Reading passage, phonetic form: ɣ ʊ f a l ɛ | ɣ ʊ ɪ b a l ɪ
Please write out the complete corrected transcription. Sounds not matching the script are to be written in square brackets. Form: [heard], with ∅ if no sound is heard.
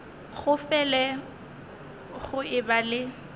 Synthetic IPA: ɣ ʊ f [ɛ] l ɛ | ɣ ʊ ɪ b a l ɪ